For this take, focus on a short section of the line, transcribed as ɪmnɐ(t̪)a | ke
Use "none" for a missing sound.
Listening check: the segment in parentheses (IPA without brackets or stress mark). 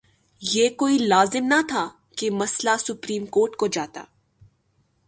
t̪ʰ